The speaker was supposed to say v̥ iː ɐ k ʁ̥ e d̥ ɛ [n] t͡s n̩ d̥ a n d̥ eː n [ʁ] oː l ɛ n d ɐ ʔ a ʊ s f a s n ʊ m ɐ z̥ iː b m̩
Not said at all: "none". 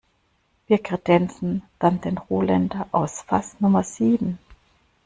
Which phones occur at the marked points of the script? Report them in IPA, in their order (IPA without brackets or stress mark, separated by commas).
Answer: n, ʁ